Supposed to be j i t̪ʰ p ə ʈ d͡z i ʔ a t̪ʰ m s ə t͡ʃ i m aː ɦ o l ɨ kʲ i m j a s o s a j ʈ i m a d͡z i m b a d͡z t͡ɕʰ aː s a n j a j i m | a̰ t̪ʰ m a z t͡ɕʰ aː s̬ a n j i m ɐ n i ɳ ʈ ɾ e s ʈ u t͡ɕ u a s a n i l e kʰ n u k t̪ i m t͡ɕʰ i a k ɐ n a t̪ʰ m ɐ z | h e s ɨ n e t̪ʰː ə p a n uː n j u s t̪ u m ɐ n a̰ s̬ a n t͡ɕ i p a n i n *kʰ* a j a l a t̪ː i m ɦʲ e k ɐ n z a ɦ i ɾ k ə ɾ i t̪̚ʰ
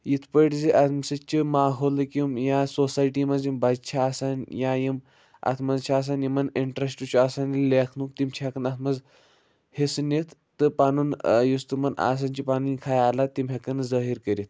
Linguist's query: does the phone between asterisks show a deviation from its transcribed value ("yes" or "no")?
no